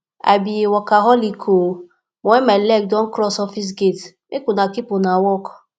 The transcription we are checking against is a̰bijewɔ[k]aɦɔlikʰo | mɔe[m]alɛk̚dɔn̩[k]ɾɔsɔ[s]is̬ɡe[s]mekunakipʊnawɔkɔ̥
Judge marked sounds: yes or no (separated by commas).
yes, yes, yes, no, no